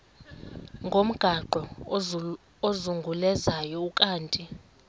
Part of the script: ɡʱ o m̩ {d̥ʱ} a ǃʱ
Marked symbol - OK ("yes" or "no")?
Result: no